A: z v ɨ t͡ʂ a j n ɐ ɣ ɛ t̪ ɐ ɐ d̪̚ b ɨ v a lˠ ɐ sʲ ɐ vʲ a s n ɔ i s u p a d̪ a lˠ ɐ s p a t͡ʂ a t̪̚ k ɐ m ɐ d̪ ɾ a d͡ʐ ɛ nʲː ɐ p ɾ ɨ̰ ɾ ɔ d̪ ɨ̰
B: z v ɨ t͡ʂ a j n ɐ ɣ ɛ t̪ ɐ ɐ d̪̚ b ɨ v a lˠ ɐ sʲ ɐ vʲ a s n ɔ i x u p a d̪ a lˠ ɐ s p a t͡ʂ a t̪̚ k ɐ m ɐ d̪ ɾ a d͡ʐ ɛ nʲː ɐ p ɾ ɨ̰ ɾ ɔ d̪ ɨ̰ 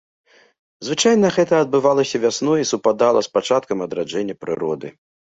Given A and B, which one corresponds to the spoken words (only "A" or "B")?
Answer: A